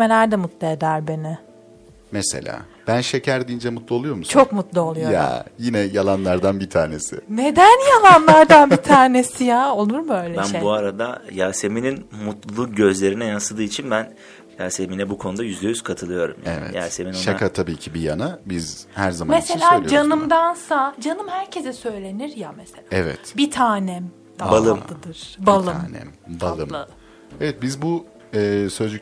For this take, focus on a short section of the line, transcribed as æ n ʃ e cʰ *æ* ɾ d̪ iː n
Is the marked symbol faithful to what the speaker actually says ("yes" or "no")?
yes